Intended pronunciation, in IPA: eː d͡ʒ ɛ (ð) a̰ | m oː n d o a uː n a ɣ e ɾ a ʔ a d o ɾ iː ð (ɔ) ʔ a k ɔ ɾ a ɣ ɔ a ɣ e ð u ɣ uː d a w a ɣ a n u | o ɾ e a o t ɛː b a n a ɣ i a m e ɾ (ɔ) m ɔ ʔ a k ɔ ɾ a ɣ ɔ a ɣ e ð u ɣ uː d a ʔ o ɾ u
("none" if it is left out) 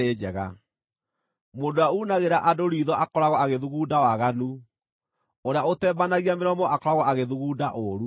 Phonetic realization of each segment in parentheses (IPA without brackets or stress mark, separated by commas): ɣ, ɔ, ɔ